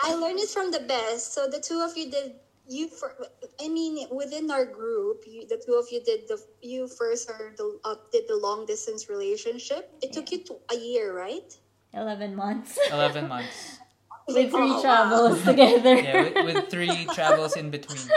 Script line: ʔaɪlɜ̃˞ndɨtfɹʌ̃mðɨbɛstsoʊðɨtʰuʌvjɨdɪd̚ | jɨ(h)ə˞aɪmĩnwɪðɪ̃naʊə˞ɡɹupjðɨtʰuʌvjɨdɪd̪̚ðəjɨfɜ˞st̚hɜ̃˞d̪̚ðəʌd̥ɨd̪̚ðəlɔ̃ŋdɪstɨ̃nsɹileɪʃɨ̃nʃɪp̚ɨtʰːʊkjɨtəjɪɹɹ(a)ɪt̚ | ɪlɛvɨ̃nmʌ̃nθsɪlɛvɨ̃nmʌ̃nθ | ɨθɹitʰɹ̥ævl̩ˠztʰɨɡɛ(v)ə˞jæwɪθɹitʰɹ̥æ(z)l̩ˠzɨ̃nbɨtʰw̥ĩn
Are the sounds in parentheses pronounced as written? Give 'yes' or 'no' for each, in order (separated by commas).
no, yes, no, no